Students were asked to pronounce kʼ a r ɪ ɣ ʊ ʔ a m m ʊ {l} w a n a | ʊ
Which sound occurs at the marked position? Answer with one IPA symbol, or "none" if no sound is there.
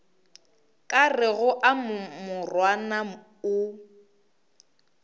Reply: r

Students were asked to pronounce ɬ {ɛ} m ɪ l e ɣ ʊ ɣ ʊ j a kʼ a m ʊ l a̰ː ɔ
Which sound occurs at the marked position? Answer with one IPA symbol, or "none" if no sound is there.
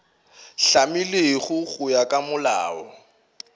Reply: a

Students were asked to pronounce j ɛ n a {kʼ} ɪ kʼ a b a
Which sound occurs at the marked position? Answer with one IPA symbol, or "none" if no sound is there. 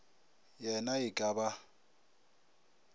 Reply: none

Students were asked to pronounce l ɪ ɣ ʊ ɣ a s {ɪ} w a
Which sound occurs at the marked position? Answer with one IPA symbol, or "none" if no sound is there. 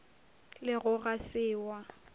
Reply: ɪː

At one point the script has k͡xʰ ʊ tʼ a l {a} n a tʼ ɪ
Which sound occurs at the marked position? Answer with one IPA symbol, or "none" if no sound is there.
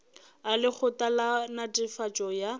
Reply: a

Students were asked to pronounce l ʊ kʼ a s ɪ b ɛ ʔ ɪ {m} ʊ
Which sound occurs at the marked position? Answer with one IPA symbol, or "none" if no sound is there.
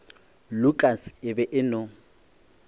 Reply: n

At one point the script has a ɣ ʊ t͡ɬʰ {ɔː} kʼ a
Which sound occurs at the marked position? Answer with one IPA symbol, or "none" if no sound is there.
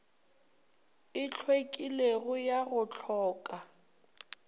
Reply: ɔː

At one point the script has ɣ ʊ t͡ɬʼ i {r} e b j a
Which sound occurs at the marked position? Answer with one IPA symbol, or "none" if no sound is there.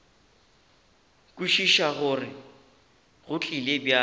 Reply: l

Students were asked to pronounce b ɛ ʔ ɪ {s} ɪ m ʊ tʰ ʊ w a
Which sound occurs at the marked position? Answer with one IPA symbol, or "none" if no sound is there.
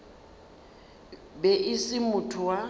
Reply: s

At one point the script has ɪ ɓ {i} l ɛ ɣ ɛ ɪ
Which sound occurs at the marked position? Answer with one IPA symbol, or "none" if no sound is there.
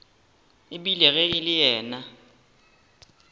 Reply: i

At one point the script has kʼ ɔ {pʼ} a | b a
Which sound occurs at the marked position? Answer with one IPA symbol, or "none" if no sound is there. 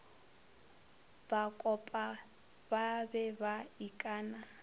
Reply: pʼ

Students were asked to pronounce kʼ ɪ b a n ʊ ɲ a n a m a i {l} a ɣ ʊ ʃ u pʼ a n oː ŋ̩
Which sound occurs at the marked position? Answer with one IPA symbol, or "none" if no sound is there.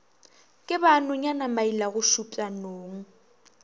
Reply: l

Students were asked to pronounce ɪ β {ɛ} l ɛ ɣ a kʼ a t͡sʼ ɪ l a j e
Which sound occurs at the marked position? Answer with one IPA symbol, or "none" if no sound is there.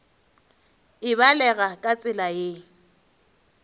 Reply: a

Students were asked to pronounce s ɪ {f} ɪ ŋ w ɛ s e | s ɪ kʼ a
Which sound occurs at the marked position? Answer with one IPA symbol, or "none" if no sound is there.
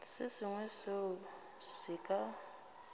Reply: s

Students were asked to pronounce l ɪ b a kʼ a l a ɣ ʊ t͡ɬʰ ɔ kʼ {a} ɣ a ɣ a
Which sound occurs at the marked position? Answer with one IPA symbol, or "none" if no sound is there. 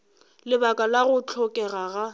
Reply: ɛ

